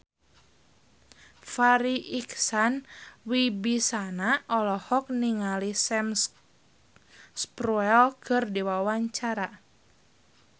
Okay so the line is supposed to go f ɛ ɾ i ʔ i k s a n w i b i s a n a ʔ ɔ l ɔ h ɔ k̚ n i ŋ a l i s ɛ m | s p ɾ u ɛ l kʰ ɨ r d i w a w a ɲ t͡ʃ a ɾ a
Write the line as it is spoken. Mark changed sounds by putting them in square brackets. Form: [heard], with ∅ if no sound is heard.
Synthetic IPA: f [a] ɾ i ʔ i k s a n w i b i s a n a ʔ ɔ l ɔ h ɔ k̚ n i ŋ a l i s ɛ m | s p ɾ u ɛ l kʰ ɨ r d i w a w a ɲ t͡ʃ a ɾ a